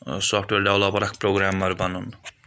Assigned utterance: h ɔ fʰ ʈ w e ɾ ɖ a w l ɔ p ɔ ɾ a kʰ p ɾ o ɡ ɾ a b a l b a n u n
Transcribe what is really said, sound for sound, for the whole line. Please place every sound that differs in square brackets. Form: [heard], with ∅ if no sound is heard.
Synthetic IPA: [s] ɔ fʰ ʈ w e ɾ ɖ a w l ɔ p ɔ ɾ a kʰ p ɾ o ɡ ɾ a [m] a [ɾ] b a n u n